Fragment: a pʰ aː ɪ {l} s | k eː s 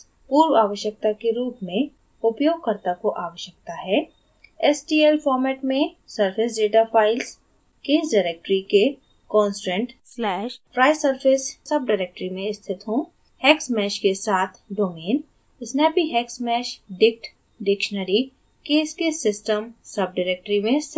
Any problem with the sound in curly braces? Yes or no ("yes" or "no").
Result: no